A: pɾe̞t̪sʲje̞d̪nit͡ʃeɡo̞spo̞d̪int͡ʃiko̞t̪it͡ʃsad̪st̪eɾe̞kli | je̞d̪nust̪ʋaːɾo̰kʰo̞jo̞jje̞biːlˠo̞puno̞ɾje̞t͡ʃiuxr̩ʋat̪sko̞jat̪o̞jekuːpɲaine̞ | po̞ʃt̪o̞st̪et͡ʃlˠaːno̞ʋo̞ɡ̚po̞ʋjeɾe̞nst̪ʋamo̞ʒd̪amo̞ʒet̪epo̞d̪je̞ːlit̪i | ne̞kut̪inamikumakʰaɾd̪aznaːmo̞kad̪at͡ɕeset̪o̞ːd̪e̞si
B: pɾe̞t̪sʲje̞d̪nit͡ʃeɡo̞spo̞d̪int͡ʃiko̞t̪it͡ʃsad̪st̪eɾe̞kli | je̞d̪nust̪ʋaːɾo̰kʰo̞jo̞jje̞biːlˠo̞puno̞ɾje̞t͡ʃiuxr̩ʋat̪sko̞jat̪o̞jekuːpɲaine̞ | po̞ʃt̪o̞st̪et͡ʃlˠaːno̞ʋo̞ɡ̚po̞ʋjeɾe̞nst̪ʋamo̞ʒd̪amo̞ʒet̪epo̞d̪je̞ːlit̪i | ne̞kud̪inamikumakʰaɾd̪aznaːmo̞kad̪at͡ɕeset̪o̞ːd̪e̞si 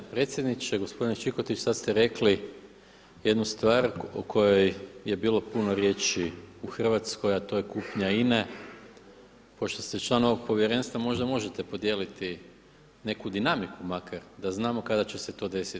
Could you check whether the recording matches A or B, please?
B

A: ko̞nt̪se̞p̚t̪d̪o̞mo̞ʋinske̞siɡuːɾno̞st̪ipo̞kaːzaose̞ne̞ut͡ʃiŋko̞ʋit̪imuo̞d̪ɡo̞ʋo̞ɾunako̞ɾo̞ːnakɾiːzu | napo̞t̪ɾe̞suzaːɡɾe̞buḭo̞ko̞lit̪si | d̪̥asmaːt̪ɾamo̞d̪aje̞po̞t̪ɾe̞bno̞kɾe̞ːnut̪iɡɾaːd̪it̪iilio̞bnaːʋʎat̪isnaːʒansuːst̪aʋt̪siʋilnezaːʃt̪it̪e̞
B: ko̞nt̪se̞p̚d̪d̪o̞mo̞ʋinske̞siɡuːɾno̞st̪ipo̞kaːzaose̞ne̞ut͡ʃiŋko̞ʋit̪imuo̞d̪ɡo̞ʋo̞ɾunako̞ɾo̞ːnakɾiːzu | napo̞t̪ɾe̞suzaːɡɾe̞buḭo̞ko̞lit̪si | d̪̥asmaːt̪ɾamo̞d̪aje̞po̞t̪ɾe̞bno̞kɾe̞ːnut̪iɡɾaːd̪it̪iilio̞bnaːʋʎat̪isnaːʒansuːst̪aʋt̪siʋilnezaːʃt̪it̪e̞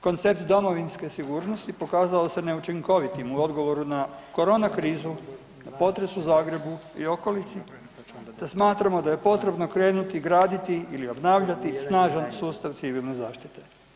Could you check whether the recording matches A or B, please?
A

